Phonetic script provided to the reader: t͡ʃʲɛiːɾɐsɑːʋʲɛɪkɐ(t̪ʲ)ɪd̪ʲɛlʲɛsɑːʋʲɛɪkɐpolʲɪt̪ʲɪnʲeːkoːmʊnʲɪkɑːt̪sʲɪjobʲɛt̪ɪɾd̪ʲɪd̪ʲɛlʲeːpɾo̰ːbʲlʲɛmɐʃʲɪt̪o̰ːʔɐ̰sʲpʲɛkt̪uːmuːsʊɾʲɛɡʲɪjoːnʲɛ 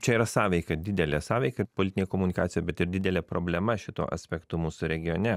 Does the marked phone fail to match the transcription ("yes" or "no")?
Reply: yes